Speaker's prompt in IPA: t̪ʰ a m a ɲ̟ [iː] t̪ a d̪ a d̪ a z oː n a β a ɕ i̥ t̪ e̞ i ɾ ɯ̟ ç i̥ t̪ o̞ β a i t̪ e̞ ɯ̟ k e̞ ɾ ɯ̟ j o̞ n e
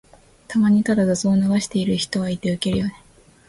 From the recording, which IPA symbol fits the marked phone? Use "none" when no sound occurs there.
i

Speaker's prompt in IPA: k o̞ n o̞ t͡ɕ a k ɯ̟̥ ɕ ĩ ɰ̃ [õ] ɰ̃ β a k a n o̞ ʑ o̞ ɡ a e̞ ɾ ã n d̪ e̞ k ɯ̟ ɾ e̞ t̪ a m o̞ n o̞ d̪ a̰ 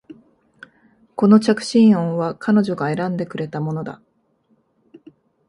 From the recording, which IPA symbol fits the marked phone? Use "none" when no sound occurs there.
õ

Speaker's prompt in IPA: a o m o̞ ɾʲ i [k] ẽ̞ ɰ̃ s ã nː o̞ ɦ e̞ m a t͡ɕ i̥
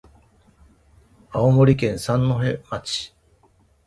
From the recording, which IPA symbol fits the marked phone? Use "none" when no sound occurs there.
k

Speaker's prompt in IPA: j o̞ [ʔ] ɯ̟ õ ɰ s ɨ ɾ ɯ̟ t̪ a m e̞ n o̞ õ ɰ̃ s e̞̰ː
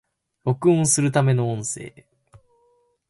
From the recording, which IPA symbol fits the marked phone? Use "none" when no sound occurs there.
k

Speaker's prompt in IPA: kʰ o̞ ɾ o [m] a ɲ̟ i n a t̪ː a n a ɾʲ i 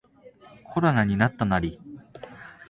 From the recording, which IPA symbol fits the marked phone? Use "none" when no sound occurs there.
n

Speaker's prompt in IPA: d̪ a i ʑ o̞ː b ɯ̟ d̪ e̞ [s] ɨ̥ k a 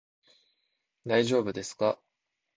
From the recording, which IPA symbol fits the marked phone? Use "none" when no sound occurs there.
s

